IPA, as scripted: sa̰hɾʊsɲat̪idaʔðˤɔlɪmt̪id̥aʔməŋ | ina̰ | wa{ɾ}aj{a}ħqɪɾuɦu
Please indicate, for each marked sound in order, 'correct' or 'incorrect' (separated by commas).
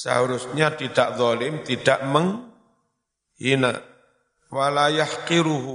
incorrect, correct